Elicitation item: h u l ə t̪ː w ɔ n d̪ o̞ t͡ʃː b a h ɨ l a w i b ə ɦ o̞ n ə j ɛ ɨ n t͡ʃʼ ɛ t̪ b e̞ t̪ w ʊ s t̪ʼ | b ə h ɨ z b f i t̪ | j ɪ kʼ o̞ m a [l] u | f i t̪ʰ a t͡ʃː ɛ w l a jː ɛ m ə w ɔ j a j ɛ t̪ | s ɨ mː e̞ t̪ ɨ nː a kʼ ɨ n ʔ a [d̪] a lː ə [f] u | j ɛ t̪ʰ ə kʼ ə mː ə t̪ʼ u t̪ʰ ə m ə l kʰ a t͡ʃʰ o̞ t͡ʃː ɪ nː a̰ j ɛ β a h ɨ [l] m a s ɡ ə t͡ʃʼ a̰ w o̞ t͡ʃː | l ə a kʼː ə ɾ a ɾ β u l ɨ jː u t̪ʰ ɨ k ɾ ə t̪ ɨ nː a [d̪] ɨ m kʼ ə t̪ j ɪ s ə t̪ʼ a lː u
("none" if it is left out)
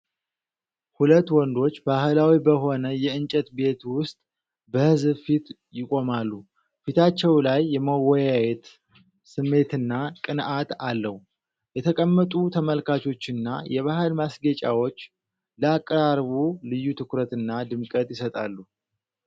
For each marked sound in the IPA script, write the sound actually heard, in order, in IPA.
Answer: lː, t̪, h, l, d̪

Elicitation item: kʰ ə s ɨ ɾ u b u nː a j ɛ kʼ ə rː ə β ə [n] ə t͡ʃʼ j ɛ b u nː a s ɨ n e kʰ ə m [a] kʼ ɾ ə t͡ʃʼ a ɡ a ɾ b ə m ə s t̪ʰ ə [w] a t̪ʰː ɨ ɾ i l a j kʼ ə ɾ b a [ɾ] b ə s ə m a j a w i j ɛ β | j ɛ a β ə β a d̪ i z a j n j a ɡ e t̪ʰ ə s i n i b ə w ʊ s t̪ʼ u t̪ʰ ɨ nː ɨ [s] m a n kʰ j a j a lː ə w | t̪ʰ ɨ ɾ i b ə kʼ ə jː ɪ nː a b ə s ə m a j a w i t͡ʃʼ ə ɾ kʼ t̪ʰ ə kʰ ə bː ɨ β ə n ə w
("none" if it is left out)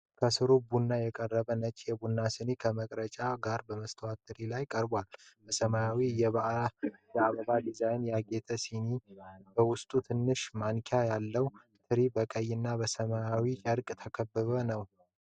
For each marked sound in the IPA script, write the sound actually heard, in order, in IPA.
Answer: n, ə, w, l, ʃ

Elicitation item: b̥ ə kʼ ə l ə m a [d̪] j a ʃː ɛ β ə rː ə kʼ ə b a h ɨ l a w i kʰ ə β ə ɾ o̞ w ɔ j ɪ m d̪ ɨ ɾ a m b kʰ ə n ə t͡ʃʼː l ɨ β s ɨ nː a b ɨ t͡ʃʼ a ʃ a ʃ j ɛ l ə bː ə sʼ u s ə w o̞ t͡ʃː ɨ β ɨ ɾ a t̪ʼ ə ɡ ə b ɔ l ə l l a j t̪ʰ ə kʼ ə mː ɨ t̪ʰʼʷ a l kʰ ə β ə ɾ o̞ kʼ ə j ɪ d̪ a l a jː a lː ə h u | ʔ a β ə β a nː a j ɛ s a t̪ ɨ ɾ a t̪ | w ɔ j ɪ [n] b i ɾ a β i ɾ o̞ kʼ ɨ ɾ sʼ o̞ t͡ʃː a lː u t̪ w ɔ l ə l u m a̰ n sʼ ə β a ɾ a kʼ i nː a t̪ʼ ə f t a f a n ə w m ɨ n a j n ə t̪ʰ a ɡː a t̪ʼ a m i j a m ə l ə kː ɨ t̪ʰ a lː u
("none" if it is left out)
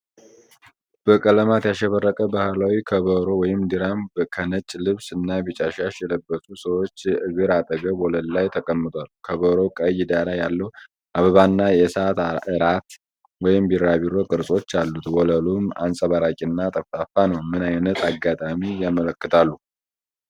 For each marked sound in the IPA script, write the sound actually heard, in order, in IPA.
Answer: t̪, m

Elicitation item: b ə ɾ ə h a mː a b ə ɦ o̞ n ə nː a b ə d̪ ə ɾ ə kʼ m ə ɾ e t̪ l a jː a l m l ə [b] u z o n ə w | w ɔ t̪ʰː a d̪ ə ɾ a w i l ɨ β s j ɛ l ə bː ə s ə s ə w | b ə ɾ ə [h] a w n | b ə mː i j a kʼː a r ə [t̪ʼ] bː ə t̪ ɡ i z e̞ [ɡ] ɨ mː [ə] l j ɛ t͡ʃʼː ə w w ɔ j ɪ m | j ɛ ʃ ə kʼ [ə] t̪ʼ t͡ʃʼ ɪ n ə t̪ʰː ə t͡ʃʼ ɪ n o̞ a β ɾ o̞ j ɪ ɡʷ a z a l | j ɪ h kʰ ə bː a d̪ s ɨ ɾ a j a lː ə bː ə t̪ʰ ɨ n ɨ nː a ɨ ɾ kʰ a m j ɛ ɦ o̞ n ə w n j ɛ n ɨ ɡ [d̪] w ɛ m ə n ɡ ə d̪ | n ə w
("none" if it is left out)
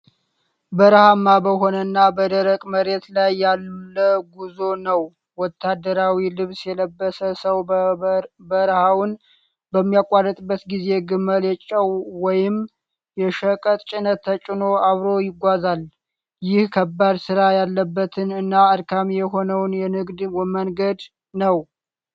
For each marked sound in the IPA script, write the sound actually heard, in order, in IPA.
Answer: ɡ, h, t̪ʼ, ɡ, ə, ə, d̪

